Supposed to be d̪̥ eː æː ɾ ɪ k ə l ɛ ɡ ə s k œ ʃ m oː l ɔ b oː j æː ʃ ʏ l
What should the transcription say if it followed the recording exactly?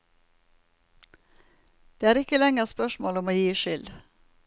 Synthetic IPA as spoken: d̪̥ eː æː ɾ ɪ k ə l ɛ ŋ ə s p œ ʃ m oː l ɔ m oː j iː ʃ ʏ l

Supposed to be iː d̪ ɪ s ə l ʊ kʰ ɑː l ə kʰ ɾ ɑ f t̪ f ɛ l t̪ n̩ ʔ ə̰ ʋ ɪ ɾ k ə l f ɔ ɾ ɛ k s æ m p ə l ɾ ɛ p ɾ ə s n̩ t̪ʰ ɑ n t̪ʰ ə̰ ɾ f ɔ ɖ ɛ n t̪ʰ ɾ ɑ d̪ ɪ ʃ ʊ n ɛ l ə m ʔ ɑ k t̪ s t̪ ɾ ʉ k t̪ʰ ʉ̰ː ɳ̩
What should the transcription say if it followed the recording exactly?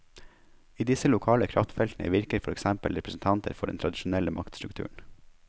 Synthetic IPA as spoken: iː d̪ ɪ s ə l ʊ kʰ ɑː l ə kʰ ɾ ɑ f t̪ f ɛ l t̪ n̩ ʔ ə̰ ʋ ɪ ɾ k ə ɾ f ɔ ɾ ɛ k s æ m p ə l ɾ ɛ p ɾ ə s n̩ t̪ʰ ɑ n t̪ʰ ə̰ ɾ f ɔ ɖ ɛ n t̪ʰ ɾ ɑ d̪ ɪ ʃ ʊ n ɛ l ə m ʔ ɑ k t̪ s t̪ ɾ ʉ k t̪ʰ ʉ̰ː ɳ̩

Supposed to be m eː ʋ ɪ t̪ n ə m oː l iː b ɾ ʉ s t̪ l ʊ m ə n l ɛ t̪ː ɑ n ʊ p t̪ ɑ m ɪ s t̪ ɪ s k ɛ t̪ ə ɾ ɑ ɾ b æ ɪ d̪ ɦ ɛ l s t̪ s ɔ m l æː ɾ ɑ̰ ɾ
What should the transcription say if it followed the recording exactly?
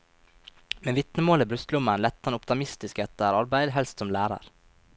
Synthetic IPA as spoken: m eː ʋ ɪ t̪ n ə m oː l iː b ɾ ʉ s t̪ l ʊ m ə n l ɛ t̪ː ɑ n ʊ p t̪ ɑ m ɪ s t̪ ɪ s k ɛ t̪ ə ɾ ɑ ɾ b æ ɪ d̪ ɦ ɛ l s t̪ s ɔ m l æː ɾ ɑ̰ ɾ

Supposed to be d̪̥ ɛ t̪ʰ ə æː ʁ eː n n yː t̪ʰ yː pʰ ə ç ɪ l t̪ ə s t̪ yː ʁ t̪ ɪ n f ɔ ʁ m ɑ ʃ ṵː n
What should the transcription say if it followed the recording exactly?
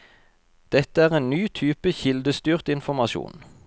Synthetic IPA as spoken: d̪̥ ɛ t̪ ə æː ʁ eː n n yː t̪ʰ yː p ə ç ɪ l d̪ ə s t̪ yː ʁ t̪ ɪ n f ɔ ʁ m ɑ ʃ ṵː n

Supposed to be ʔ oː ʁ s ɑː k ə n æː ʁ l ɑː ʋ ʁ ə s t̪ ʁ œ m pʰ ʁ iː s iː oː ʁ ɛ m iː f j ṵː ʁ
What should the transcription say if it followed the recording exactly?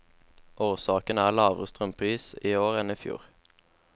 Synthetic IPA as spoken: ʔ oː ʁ s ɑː k ə n æː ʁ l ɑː ʋ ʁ ə s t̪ ʁ œ m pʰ ʁ iː s iː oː ʁ ɛ n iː f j ṵː ʁ

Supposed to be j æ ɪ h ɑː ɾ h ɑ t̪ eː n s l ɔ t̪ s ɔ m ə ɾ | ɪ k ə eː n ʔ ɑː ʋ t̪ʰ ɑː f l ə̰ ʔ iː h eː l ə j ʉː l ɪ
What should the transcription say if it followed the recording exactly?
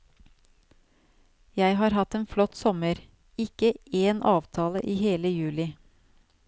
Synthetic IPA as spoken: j æ ɪ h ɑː ɾ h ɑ t̪ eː n f l ɔ t̪ s ɔ m ə ɾ | ɪ k ə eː n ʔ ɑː ʋ t̪ʰ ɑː l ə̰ ʔ iː h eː l ə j ʉː l ɪ

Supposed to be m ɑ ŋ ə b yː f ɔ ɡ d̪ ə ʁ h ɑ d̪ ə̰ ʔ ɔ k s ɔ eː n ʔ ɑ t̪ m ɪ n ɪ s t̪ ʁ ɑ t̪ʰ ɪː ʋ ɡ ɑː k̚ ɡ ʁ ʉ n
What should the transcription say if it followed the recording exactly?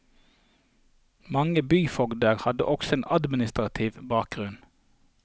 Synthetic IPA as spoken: m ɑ ŋ ə b yː f ɔ ɡ d̪ ə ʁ h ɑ d̪ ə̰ ʔ ɔ k s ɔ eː n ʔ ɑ d̪ m ɪ n ɪ s t̪ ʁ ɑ t̪ʰ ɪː ʋ b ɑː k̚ ɡ ʁ ʉ n

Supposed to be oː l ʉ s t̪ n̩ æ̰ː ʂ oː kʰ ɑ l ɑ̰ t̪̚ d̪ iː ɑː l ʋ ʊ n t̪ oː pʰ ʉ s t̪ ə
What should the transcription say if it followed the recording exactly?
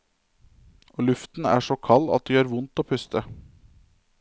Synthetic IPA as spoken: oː l ʉ f t̪ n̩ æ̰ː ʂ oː kʰ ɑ l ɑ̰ t̪̚ d̪ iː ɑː ɾ ʋ ʊ n t̪ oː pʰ ʉ s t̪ ə

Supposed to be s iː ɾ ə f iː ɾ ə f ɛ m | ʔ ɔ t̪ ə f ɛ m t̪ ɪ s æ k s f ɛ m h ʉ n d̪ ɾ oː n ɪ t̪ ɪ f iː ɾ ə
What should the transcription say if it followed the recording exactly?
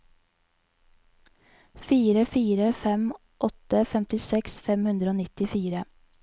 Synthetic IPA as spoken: f iː ɾ ə f iː ɾ ə f ɛ m | ʔ ɔ t̪ ə f ɛ m t̪ ɪ s ɛ k s f ɛ m h ʉ n d̪ ɾ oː n ɪ t̪ ɪ f iː ɾ ə

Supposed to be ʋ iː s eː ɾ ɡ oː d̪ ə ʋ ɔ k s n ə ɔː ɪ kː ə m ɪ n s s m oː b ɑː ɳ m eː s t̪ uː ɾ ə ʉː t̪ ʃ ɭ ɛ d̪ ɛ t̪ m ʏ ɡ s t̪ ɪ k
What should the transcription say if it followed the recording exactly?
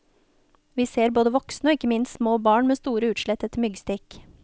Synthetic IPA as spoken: ʋ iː s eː ɾ b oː d̪ ə ʋ ɔ k s n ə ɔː ɪ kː ə m ɪ n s s m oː b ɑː ɳ m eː s t̪ uː ɾ ə ʉː t̪ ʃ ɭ ɛ t̪ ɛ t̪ m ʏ ɡ s t̪ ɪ k

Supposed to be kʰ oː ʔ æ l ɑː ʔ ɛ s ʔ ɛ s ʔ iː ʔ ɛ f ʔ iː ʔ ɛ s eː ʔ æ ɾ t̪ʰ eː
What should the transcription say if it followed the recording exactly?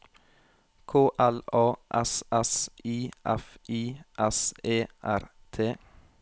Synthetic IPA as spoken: kʰ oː ʔ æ l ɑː ʔ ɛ s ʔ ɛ s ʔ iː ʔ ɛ f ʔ iː ʔ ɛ s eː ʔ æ ɾ t̪ʰ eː

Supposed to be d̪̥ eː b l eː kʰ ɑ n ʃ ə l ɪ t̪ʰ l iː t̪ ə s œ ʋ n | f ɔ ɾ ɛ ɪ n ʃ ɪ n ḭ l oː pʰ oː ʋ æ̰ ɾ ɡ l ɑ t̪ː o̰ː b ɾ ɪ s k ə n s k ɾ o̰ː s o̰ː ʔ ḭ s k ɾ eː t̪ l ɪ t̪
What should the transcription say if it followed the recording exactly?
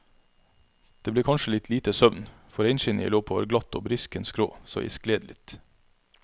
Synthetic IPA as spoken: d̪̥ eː b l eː kʰ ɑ n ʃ ə l ɪ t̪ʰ l iː t̪ ə s œ ʋ n | f ɔ ɾ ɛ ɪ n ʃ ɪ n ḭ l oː pʰ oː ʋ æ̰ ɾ ɡ l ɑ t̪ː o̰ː b ɾ ɪ s k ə n s k ɾ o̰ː s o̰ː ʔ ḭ s k l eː d̪ l ɪ t̪

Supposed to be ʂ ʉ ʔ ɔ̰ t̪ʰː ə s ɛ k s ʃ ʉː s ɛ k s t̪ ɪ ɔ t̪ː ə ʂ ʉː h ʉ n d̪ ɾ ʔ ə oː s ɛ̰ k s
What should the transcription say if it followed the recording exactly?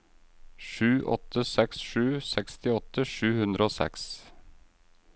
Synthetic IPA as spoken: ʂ ʉː ʔ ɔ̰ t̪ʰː ə s ɛ k s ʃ ʉː s ɛ k s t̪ ɪ ɔ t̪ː ə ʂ ʉː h ʉ n d̪ ɾ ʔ ə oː s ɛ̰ k s

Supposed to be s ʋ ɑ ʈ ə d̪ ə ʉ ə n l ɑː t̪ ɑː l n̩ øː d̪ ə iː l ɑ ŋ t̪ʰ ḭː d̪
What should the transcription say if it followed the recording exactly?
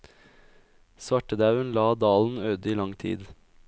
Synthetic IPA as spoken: s ʋ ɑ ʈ ə d̪ ɑ ʉ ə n l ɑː d̪ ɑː l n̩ øː d̪ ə iː l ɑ ŋ t̪ʰ ḭː d̪

